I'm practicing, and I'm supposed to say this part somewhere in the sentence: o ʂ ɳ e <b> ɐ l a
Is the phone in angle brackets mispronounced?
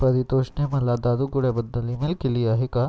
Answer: yes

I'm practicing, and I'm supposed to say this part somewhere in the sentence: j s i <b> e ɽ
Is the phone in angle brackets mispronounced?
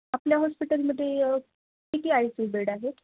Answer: no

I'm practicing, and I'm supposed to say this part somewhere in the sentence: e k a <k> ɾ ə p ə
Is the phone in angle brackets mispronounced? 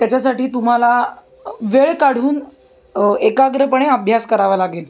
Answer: yes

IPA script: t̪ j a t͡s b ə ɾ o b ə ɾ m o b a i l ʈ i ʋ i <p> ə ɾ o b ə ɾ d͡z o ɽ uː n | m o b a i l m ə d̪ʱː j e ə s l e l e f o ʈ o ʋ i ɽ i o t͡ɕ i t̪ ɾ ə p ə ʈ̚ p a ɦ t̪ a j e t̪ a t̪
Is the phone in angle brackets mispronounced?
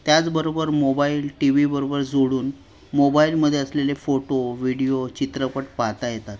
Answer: yes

